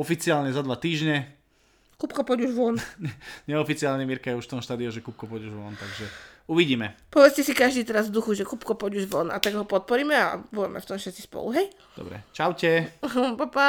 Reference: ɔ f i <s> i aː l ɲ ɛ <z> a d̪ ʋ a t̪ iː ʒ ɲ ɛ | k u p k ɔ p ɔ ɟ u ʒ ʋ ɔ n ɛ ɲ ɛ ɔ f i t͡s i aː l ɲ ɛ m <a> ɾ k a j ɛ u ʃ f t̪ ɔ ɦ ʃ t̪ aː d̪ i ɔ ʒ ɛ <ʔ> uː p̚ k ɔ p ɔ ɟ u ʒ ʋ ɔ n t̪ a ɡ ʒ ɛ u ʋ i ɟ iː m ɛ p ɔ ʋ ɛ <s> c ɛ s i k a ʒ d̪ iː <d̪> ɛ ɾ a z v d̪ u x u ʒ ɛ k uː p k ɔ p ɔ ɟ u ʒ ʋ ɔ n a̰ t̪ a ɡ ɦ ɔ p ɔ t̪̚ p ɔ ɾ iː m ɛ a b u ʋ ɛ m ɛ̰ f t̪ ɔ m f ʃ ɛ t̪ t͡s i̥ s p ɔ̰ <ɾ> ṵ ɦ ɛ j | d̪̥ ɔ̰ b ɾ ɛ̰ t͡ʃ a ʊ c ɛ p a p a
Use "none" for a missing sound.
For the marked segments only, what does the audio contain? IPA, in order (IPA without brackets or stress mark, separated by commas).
t͡s, z, i, k, t͡s, t̪, l